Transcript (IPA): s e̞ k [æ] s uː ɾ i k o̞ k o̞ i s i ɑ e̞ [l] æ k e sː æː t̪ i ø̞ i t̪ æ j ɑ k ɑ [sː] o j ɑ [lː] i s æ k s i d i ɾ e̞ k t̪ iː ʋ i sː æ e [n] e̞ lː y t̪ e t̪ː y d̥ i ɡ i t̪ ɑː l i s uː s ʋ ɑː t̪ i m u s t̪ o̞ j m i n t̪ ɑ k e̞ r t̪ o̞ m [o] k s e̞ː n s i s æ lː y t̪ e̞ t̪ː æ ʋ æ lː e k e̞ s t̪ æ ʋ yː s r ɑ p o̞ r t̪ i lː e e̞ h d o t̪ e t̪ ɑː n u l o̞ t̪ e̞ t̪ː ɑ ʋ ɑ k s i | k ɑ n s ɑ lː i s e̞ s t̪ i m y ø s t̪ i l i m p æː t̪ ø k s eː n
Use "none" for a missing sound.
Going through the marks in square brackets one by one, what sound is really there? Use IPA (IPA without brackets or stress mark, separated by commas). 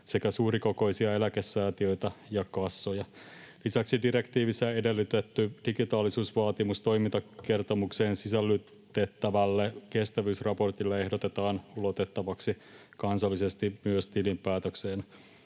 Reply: æ, l, sː, l, d, u